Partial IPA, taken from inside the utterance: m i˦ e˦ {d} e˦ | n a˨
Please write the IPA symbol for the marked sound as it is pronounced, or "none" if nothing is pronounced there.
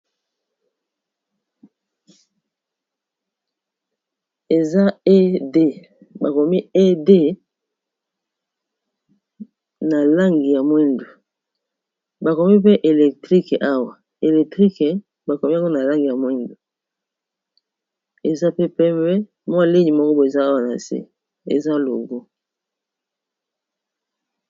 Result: d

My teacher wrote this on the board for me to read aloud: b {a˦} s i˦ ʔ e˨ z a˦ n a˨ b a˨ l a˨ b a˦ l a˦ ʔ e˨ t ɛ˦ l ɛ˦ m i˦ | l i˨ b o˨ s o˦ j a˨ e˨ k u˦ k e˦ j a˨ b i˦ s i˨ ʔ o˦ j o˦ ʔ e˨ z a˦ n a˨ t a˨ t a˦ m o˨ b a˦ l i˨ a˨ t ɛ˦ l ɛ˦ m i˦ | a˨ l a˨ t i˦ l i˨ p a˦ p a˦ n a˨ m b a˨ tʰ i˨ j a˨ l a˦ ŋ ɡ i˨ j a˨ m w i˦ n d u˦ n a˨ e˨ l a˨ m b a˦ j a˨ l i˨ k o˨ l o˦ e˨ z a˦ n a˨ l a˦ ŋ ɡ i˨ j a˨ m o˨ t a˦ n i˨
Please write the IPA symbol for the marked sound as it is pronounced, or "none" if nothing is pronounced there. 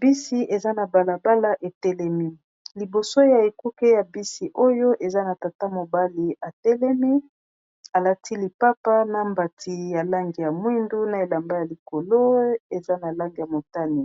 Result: i˦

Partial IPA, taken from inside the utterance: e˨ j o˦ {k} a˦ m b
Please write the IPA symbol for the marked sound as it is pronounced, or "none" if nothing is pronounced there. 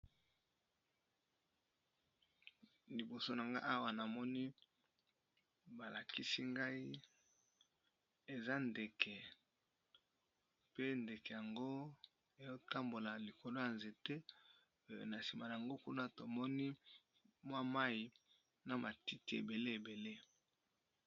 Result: t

